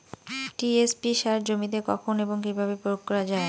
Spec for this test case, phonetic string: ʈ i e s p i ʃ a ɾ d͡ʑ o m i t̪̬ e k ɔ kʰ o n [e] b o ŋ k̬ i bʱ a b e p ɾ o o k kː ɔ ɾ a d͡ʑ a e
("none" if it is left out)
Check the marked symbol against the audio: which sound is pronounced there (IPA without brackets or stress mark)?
e